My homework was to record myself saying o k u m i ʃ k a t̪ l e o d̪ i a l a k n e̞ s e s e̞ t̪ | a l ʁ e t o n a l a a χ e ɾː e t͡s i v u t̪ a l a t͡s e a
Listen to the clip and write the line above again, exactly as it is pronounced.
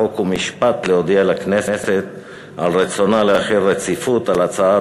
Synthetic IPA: o k u m i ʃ p a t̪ l e o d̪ i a l a k n e̞ s e s e̞ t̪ | a l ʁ e t͡s o n a l e a χ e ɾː e t͡s i f u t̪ a l a t͡s a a